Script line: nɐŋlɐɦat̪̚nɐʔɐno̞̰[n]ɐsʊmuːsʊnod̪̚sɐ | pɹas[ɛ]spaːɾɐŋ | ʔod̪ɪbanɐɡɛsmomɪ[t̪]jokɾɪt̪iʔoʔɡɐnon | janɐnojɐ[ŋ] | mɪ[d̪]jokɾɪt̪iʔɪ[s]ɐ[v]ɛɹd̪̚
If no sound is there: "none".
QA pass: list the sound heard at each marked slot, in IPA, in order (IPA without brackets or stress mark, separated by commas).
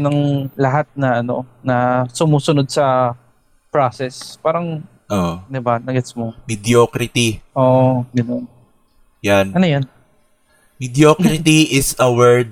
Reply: n, ɛ, d̪, n, d̪, s, w